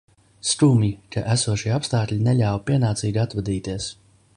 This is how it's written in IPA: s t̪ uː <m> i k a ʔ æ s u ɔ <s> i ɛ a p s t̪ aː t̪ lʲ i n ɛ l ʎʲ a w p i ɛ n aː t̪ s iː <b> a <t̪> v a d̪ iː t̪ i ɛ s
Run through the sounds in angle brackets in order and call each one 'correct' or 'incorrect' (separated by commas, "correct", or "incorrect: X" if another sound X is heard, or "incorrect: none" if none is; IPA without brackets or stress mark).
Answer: correct, incorrect: ʃ, incorrect: ɡ, correct